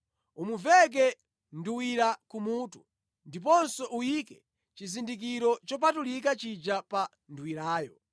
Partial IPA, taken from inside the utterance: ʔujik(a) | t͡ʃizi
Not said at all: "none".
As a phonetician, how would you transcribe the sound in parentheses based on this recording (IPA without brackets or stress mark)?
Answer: ɛ